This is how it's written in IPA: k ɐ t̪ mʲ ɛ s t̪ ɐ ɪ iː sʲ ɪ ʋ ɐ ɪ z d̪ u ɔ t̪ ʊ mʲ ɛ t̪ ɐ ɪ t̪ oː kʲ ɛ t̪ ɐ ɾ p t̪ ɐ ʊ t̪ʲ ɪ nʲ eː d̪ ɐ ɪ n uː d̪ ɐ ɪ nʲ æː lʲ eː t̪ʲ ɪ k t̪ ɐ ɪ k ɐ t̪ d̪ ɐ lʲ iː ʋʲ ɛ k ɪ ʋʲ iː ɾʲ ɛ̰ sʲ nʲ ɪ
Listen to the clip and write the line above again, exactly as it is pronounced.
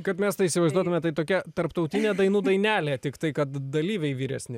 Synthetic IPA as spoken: k ɐ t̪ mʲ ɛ s t̪ ɐ ɪ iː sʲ ɪ ʋ ɐ ɪ z d̪ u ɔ t̪ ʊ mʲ ɛ t̪ ɐ ɪ t̪ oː kʲ ɛ t̪ ɐ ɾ p t̪ ɐ ʊ t̪ʲ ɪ nʲ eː d̪ ɐ ɪ n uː d̪ ɐ ɪ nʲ æː lʲ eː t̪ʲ ɪ k t̪ ɐ ɪ k ɐ t̪ d̪ ɐ lʲ iː ʋʲ ɛ ɪ ʋʲ iː ɾʲ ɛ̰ sʲ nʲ ɪ